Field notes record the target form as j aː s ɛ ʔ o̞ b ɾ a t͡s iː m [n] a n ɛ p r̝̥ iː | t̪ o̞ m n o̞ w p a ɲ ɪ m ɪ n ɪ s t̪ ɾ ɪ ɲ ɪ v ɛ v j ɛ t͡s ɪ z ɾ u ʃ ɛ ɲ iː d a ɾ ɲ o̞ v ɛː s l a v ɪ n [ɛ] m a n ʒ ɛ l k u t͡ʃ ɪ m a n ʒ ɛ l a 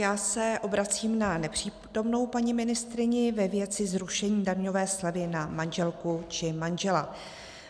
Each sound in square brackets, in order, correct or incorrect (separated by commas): correct, incorrect